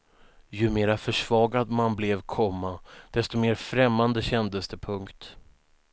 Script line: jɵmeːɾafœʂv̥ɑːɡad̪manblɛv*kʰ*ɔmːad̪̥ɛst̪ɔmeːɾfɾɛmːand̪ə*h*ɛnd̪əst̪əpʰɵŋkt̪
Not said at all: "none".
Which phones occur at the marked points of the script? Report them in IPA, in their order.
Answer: kʰ, ɕ

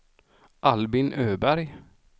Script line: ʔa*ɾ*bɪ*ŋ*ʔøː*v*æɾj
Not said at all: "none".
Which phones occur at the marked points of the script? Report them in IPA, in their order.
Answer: l, n, b

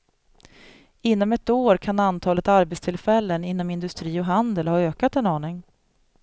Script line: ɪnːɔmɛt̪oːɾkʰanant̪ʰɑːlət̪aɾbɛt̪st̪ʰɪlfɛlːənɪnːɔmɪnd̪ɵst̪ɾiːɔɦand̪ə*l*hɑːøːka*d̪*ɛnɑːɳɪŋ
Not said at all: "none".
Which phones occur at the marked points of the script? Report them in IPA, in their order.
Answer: l, t̪

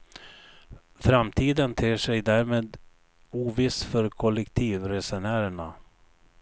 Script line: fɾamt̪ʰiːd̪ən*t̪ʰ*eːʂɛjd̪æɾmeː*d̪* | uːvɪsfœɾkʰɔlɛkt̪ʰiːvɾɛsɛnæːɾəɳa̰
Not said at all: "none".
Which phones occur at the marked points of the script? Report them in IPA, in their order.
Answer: t̪ʰ, d̪

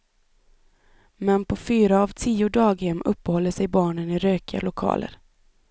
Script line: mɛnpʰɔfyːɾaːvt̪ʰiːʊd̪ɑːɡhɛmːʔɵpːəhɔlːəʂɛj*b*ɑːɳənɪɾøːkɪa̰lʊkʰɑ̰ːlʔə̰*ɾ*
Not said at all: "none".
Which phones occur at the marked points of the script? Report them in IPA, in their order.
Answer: b, ɾ

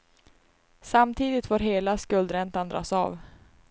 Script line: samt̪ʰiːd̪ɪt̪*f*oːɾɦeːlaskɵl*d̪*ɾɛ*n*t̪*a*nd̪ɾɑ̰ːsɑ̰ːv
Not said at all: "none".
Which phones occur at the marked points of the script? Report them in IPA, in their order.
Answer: f, d̪, n, a

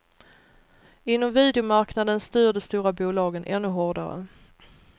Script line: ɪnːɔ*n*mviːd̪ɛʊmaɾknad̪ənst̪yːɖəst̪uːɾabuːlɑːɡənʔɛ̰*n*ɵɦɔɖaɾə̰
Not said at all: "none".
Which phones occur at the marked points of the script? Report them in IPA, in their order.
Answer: none, nː

